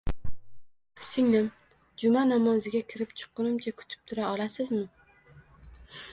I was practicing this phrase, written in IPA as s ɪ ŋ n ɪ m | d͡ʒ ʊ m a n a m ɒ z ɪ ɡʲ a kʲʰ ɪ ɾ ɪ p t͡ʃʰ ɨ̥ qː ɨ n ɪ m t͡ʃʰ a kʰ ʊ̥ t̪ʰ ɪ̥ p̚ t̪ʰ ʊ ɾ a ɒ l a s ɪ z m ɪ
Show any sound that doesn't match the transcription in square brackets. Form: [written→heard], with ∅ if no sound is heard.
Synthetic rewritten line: s ɪ ŋ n ɪ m | d͡ʒ ʊ m a n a m ɒ z ɪ ɡʲ a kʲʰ ɪ ɾ ɪ p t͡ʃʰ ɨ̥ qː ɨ n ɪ m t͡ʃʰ a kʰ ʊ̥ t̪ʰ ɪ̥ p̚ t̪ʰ ʊ ɾ a ɒ l a s ɪ z m ɪ